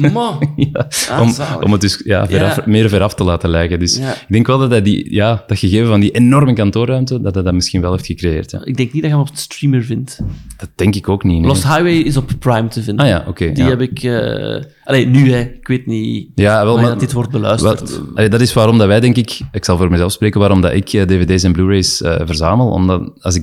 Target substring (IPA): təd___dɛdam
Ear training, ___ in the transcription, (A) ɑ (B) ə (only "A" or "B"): A